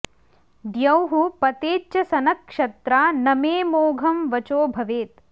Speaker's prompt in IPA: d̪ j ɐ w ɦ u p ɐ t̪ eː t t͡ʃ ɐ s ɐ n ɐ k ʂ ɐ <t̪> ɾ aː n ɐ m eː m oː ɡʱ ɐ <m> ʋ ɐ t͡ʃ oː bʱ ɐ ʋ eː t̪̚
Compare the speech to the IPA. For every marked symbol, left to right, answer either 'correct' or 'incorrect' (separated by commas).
correct, correct